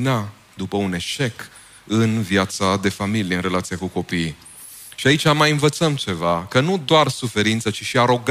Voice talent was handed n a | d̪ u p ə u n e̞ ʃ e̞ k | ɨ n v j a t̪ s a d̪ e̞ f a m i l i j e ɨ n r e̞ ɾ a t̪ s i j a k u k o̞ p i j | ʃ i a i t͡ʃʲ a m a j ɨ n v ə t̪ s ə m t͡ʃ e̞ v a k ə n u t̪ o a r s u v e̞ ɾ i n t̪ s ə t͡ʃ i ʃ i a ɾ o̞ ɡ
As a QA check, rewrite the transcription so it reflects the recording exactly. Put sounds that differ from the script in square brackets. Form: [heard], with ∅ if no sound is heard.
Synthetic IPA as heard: n a | d̪ u p ə u n e̞ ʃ e̞ k | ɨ n v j a t̪ s a d̪ e̞ f a m i l i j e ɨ n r e̞ [l] a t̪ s i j a k u k o̞ p i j | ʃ i a i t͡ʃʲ a m a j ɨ n v ə t̪ s ə m t͡ʃ e̞ v a k ə n u [d̪] o a r s u [f] e̞ ɾ i n t̪ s ə t͡ʃ i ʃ i a ɾ o̞ ɡ